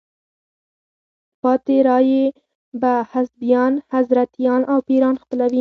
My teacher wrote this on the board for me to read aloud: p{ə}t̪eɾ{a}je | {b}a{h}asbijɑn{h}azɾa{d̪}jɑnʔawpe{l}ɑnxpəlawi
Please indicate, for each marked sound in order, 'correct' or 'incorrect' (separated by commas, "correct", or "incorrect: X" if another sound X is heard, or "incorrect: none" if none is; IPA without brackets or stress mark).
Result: incorrect: ɑ, incorrect: ɑ, correct, correct, correct, incorrect: t̪, incorrect: ɾ